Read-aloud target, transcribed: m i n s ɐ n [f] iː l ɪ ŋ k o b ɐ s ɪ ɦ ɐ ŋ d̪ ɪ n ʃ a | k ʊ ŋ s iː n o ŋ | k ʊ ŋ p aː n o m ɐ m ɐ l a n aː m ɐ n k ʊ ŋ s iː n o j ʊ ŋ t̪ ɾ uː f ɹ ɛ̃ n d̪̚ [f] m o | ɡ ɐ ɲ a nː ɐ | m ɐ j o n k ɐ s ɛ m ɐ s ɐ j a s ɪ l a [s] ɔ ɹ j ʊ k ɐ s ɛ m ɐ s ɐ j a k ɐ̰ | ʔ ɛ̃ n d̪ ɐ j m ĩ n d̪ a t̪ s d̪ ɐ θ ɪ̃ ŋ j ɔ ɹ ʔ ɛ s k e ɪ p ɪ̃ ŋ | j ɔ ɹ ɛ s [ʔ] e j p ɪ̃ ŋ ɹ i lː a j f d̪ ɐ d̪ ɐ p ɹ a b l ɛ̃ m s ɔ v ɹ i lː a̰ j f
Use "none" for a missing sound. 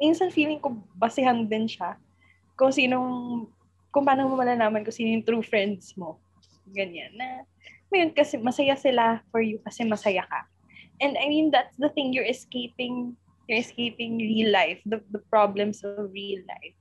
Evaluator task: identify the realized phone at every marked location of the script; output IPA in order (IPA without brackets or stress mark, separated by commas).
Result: f, s, f, k